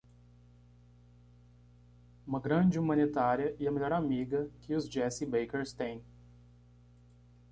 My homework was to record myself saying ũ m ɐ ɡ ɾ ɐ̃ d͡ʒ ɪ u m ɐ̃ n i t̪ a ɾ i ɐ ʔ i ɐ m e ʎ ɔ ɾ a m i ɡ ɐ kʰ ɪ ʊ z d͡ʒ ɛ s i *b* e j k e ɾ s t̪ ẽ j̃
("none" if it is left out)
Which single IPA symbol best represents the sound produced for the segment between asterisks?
b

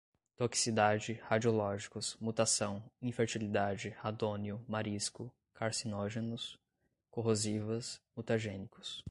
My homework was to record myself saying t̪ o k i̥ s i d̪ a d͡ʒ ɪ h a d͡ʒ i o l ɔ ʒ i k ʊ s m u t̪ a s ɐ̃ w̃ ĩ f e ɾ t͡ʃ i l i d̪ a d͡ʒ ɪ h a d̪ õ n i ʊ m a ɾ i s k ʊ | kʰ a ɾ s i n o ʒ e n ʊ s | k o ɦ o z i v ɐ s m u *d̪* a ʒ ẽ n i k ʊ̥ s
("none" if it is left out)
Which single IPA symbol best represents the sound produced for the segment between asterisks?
t̪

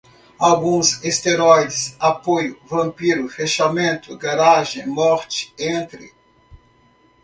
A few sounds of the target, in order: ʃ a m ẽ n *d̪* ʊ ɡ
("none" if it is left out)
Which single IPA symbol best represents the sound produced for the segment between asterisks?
t̪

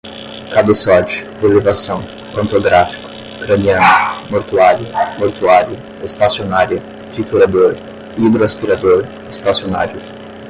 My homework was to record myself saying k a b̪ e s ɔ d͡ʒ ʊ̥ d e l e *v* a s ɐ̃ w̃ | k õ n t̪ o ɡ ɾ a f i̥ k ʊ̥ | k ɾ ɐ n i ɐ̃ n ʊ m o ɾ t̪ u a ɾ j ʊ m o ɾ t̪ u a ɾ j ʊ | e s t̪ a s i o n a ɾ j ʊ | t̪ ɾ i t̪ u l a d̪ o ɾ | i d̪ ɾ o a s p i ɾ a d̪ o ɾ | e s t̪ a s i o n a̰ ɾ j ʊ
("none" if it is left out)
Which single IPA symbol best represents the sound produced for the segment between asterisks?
v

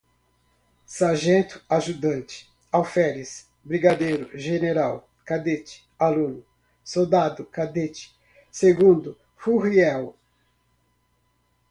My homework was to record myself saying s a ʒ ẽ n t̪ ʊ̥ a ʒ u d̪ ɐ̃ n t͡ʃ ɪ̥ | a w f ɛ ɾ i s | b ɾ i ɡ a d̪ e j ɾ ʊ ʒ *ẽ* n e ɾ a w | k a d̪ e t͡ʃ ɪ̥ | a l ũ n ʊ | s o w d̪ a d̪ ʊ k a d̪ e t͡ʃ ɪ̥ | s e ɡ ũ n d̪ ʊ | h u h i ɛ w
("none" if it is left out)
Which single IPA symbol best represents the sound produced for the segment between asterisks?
e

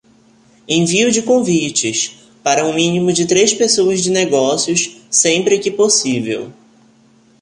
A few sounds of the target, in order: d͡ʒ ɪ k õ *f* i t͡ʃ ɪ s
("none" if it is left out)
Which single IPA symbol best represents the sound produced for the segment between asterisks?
v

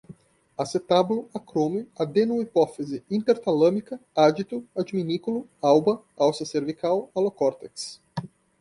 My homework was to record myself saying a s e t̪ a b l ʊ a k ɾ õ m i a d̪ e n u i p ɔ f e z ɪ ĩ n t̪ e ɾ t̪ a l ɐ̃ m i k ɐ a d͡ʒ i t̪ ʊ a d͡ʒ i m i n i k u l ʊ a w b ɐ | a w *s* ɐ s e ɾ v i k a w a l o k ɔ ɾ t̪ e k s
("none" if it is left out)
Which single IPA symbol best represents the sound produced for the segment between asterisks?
s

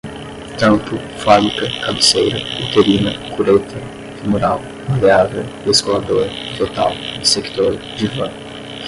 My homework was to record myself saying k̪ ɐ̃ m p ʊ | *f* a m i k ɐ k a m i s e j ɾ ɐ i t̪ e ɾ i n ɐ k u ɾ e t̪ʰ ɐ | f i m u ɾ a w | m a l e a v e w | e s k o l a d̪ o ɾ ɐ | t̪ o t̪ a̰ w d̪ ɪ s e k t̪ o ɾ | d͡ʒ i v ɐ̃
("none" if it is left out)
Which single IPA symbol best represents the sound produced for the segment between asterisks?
f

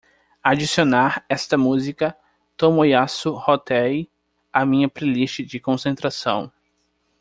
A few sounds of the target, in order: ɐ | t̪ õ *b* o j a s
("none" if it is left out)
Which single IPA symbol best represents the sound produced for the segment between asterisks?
m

